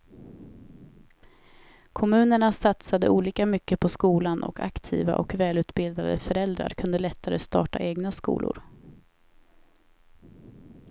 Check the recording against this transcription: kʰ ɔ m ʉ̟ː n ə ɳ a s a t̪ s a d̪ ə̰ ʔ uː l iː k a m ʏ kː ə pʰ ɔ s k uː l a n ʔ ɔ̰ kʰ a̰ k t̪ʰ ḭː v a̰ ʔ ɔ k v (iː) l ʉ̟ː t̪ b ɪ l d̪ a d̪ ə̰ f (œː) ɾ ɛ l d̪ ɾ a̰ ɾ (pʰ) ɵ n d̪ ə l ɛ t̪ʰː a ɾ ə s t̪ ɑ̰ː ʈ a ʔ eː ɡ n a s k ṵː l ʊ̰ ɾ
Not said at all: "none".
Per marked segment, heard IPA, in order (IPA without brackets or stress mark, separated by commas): ɛː, œ, kʰ